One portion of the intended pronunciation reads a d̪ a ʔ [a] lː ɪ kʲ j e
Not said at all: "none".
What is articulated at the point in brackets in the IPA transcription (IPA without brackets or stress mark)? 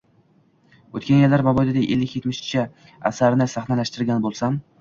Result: e